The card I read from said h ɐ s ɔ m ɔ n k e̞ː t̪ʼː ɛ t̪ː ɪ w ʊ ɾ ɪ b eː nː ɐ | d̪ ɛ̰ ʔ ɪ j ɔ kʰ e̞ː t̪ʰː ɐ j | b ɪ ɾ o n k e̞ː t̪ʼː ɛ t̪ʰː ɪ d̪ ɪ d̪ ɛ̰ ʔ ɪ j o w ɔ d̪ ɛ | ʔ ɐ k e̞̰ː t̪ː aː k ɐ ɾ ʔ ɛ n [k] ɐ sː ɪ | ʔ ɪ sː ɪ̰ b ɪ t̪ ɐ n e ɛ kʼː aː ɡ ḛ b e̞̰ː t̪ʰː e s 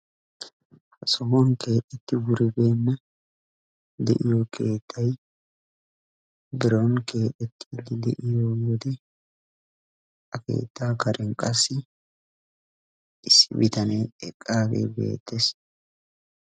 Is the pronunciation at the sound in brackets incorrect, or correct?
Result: incorrect